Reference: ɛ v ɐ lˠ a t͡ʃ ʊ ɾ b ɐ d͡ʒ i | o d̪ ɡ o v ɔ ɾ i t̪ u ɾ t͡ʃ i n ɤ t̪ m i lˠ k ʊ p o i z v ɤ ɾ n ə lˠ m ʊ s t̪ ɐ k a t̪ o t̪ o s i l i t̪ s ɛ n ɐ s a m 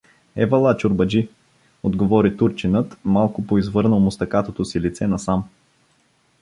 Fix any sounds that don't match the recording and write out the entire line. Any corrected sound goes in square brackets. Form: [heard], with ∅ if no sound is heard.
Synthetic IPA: ɛ v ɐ lˠ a t͡ʃ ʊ ɾ b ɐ d͡ʒ i | o d̪ ɡ o v ɔ ɾ i t̪ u ɾ t͡ʃ i n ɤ t̪ m [a] lˠ k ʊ p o i z v ɤ ɾ n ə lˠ m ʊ s t̪ ɐ k a t̪ o t̪ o s i l i t̪ s ɛ n ɐ s a m